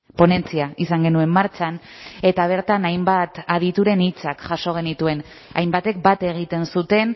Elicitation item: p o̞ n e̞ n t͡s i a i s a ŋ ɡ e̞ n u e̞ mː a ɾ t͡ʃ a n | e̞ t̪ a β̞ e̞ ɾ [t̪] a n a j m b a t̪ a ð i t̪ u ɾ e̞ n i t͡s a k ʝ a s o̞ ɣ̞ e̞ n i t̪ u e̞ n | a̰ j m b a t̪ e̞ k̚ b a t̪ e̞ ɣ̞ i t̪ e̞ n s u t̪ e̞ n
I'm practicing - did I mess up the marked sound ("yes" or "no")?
no